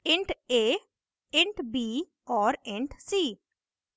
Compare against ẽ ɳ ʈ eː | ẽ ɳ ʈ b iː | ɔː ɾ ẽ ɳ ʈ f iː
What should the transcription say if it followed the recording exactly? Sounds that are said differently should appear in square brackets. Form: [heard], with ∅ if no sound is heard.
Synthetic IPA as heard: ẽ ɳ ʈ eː | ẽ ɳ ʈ b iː | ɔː ɾ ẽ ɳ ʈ [s] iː